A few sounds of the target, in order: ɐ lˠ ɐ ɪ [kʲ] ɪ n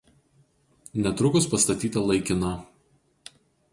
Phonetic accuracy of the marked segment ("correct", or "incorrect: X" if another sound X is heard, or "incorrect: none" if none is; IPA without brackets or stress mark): correct